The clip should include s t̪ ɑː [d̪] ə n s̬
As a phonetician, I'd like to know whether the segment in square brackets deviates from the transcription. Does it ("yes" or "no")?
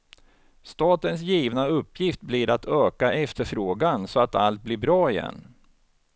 yes